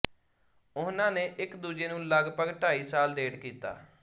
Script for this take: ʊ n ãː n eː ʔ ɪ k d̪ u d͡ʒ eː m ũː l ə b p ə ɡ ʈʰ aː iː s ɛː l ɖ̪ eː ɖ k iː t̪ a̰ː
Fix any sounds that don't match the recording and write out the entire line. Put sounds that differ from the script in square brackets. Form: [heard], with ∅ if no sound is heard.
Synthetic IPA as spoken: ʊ n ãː n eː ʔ ɪ k d̪ [uː] d͡ʒ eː [n] ũː l ə [ɡ] p ə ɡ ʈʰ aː iː s [aː] l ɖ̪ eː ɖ k iː t̪ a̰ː